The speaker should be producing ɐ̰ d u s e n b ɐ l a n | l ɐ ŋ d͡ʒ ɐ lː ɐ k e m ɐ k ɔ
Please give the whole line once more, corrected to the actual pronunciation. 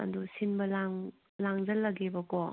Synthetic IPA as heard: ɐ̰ d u s i n b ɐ l a ŋ | l a ŋ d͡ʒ ɐ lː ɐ ɡ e b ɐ k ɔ